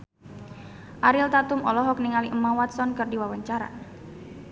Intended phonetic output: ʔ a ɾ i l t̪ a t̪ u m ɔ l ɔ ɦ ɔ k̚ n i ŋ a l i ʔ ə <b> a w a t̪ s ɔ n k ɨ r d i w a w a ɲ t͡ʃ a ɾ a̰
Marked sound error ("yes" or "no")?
yes